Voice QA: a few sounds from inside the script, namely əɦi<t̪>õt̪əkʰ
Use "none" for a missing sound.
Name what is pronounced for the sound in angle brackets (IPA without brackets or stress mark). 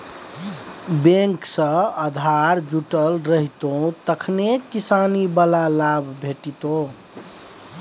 t̪